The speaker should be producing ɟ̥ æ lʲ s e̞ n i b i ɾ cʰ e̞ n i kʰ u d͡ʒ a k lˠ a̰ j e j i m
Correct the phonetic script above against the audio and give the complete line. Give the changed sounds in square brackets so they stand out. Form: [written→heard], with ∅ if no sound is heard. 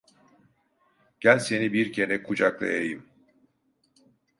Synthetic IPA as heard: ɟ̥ æ lʲ s e̞ n i b i ɾ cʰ e̞ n [i→ɛ] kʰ u d͡ʒ a k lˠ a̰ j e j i m